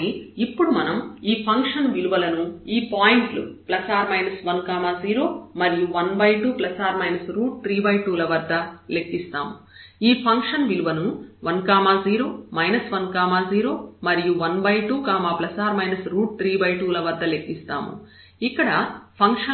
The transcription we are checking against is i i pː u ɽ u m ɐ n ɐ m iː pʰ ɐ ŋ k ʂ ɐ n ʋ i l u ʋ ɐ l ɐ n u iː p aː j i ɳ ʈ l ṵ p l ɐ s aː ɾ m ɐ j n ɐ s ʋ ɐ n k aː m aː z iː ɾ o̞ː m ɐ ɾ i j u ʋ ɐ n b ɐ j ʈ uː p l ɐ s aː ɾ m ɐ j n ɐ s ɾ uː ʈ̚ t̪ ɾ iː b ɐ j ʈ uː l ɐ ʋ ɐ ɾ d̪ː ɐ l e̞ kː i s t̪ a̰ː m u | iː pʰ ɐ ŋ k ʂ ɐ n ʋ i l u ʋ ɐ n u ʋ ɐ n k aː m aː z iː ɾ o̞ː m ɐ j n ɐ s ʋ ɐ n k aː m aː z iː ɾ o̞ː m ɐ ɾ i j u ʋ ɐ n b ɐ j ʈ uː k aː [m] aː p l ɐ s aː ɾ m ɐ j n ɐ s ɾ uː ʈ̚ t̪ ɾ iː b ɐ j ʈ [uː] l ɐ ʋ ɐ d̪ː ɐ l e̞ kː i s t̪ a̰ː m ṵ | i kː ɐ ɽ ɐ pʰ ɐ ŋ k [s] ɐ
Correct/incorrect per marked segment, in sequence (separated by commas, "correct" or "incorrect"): correct, correct, incorrect